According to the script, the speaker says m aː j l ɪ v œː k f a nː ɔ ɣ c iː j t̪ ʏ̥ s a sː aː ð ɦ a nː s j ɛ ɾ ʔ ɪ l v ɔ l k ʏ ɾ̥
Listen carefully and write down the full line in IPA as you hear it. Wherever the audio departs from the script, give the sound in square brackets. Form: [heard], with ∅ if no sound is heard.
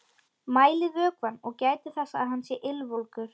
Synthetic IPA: m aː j l ɪ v œː k [v] a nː ɔ ɣ c [aː] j t̪ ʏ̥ [θ] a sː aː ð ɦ a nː s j ɛ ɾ ʔ ɪ l v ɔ l k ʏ ɾ̥